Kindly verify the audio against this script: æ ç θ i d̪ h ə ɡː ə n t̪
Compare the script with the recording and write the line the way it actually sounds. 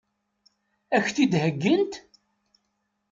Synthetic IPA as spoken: æ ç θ i d̪ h ə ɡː ə n t̪